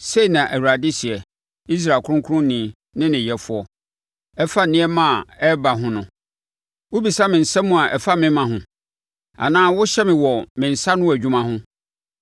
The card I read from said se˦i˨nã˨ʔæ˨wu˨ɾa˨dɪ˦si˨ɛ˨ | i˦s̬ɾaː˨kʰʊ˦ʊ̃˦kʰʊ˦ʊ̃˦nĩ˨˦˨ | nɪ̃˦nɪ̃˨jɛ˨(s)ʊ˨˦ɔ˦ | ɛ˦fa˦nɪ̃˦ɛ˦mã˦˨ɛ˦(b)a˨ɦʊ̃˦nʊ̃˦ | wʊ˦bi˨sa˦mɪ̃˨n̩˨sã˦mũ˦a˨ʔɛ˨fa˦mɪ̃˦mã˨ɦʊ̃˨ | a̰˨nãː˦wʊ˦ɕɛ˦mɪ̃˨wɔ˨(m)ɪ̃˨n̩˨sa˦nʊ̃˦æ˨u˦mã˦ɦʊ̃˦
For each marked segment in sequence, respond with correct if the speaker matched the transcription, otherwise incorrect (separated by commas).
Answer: incorrect, correct, correct